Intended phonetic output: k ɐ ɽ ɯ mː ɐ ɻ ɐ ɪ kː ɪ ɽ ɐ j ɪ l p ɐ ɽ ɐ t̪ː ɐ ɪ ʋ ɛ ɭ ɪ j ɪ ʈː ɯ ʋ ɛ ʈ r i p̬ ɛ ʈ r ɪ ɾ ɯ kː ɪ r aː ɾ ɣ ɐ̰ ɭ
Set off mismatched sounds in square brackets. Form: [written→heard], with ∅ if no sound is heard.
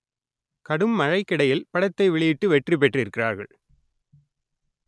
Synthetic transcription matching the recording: k ɐ ɽ ɯ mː ɐ ɻ ɐ ɪ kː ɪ ɽ ɐ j ɪ l p ɐ ɽ ɐ t̪ː ɐ ɪ ʋ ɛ ɭ ɪ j ɪ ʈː ɯ ʋ ɛ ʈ r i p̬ ɛ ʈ r ɪ ɾ ɯ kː ɪ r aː ɾ ɣ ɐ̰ ɭ